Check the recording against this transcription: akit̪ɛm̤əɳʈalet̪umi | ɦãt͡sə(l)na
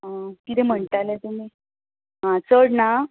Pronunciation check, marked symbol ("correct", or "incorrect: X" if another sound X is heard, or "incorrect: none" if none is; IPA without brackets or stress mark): incorrect: ɽ